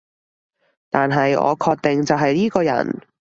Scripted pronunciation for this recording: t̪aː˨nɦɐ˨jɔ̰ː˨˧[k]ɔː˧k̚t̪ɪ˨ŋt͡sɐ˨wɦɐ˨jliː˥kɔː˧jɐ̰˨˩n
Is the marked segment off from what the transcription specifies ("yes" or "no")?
yes